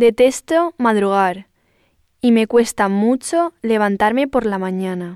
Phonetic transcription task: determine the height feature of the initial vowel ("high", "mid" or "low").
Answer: mid